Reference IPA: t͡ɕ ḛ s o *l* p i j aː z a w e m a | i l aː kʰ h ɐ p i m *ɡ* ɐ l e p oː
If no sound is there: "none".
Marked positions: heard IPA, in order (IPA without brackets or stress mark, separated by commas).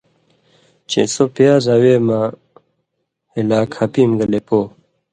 none, ɡ